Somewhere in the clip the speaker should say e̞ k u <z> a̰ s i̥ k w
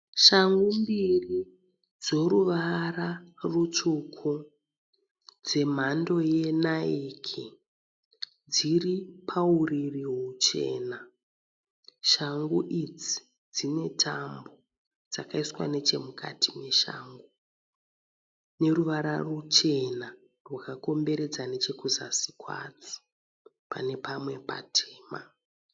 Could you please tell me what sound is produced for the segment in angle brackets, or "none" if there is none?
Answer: z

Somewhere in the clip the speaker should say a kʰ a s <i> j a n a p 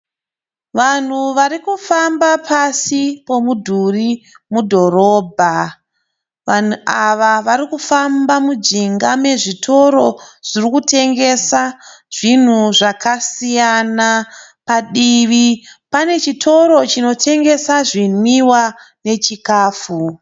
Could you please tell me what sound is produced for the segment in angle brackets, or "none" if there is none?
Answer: i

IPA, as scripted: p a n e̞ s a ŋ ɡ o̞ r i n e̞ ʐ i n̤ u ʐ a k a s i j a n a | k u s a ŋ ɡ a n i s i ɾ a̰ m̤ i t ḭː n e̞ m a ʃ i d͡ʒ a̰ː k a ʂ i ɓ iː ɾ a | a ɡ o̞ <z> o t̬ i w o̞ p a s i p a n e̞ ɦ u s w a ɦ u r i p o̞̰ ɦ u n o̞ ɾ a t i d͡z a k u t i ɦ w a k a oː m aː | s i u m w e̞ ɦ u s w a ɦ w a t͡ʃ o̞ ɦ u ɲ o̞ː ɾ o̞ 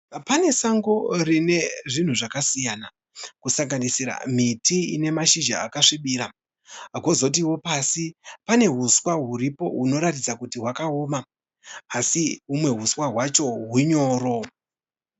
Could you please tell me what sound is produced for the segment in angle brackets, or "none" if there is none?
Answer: z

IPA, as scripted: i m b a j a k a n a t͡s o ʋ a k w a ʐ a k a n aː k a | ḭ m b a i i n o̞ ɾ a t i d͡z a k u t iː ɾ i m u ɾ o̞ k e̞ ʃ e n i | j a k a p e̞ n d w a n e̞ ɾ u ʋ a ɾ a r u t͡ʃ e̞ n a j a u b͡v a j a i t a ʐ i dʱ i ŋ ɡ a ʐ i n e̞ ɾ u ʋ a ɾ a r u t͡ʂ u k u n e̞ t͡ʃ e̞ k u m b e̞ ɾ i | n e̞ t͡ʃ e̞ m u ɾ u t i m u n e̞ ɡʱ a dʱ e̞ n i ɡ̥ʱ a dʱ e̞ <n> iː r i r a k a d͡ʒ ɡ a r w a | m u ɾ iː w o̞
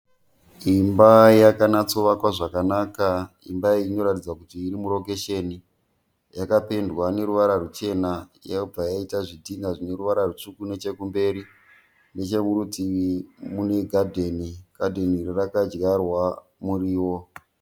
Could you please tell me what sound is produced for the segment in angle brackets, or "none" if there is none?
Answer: n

